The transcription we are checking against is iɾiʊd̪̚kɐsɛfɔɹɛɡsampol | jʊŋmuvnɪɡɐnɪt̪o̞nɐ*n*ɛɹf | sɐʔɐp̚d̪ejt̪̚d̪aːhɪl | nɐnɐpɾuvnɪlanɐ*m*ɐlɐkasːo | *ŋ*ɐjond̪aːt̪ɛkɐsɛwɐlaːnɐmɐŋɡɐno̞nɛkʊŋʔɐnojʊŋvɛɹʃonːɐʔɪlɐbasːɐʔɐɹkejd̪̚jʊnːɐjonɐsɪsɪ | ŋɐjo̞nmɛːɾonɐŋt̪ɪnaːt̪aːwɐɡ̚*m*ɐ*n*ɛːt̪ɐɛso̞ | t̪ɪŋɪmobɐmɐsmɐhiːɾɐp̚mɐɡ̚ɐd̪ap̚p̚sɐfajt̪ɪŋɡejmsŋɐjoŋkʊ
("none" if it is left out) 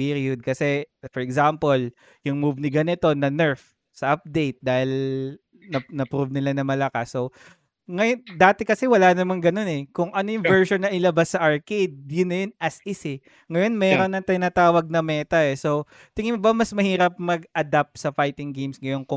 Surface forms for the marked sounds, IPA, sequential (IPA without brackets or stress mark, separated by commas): n, m, ŋ, n, m